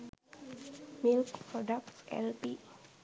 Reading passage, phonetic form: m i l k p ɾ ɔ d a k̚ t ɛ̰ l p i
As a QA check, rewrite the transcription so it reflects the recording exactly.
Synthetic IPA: m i l k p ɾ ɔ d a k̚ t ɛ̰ l p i